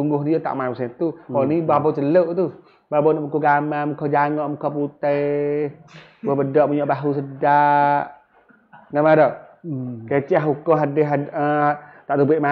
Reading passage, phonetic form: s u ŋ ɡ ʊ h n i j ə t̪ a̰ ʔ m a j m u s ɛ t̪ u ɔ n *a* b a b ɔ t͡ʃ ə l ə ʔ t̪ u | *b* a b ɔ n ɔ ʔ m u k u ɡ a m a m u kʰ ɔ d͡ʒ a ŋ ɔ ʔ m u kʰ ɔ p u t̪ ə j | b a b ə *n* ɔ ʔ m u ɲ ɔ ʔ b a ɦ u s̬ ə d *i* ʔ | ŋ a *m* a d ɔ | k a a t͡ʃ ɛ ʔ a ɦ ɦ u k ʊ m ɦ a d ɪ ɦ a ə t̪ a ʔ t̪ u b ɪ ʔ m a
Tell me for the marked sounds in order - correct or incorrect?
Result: incorrect: i, correct, incorrect: d, incorrect: a, correct

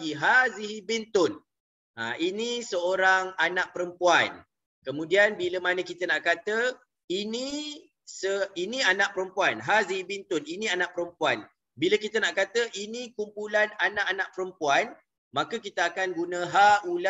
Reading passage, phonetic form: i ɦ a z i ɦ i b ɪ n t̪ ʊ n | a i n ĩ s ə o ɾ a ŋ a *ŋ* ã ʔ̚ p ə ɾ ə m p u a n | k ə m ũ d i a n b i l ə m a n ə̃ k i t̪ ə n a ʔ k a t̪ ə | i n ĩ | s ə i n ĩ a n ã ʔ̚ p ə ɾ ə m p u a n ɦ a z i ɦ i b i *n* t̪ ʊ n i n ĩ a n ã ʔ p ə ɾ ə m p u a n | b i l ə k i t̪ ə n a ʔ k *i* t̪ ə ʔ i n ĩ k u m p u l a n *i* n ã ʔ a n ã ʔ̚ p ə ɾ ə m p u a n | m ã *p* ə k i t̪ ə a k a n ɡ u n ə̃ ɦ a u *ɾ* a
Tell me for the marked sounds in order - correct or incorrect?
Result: incorrect: n, correct, incorrect: a, incorrect: a, incorrect: k, incorrect: l

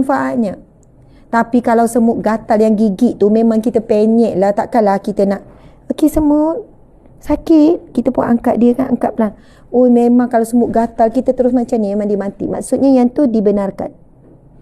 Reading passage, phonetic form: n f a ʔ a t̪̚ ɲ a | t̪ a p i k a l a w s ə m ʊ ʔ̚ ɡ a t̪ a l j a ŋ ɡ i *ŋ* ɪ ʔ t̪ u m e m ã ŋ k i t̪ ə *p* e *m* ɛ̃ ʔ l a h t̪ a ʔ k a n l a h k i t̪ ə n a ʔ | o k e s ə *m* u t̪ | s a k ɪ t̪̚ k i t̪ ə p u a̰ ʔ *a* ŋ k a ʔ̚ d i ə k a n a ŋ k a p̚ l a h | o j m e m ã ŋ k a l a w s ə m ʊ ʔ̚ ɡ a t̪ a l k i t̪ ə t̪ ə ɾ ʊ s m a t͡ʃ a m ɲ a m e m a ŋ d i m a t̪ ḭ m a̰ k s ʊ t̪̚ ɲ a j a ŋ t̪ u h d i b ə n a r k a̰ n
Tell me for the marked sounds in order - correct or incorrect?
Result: incorrect: ɡ, correct, incorrect: ɲ, correct, correct

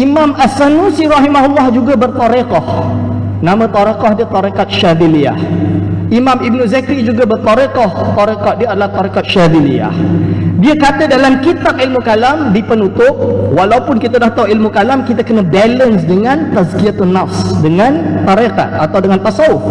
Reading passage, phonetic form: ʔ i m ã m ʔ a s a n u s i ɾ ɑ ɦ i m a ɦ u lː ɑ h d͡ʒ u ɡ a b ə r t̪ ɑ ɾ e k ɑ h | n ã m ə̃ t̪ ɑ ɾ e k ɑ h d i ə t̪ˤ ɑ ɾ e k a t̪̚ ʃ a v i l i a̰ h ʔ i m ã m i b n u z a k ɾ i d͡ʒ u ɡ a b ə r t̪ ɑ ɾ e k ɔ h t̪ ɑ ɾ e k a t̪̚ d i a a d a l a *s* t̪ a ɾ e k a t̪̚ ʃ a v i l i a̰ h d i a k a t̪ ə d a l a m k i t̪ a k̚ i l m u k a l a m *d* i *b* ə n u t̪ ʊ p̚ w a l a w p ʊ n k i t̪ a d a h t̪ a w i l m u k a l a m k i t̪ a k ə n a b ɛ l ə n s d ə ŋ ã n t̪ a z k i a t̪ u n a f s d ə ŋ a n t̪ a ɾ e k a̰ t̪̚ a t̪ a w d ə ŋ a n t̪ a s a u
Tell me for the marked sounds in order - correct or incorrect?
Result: incorrect: h, correct, incorrect: p

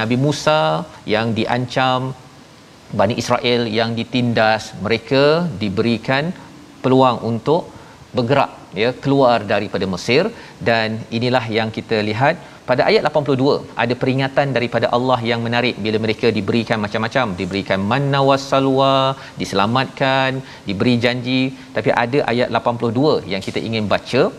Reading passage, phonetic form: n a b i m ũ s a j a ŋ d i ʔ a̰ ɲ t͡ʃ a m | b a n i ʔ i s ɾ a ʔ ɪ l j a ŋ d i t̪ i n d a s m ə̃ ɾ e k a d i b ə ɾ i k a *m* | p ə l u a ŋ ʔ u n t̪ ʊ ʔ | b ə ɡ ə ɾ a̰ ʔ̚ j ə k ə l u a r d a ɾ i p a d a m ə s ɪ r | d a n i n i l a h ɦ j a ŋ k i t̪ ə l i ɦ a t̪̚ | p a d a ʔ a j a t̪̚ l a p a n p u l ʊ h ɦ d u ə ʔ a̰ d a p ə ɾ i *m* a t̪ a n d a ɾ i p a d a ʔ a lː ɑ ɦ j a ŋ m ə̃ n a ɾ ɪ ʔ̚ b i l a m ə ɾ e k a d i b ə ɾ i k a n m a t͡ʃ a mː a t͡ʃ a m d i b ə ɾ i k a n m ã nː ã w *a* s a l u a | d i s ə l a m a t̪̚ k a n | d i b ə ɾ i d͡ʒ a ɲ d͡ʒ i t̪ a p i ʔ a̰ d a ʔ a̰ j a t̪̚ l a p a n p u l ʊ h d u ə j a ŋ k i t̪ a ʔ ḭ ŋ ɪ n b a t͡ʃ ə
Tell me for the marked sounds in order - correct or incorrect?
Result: incorrect: n, incorrect: ŋ, correct

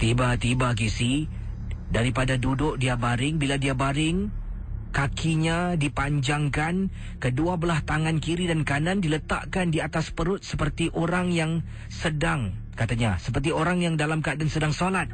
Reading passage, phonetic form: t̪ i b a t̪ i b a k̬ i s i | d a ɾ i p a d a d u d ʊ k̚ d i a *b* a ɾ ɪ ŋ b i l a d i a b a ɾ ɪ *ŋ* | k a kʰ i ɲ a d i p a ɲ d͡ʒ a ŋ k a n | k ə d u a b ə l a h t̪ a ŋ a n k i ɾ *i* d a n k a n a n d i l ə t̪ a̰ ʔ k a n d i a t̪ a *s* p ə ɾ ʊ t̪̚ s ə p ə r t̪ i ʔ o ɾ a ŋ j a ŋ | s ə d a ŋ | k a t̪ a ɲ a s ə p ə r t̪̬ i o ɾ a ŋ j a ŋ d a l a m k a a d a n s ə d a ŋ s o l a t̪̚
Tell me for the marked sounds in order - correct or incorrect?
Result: correct, correct, correct, correct

